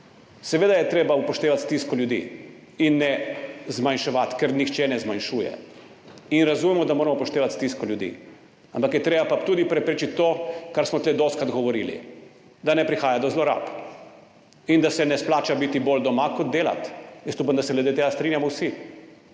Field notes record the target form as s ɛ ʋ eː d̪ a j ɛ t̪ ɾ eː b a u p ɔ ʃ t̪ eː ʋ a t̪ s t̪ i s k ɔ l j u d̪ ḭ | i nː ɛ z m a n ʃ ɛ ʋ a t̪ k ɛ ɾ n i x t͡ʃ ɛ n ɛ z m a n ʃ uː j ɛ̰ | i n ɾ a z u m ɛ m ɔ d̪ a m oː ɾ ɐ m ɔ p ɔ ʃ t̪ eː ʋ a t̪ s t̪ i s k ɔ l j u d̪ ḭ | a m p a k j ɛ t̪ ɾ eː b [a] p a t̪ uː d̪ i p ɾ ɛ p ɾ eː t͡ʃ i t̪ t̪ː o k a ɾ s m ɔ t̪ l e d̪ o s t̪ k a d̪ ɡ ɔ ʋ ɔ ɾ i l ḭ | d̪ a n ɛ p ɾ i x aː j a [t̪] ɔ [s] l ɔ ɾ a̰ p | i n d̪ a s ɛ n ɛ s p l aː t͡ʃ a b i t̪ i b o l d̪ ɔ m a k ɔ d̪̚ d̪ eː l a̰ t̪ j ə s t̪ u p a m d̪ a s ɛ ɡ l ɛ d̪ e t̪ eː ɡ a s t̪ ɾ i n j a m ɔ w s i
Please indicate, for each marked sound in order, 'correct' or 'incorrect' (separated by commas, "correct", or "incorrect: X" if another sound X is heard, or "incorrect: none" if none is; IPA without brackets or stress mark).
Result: correct, incorrect: d̪, incorrect: z